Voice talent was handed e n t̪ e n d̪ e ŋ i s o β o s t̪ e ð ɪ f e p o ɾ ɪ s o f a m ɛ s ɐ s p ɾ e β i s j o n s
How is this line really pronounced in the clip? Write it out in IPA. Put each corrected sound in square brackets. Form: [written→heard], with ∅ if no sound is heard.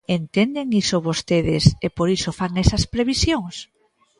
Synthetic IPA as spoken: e n t̪ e n d̪ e ŋ i s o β o s t̪ e ð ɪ [f→s] e p o ɾ [ɪ→i] s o f a [m→ŋ] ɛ s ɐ s p ɾ e β i s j o [n→ŋ] s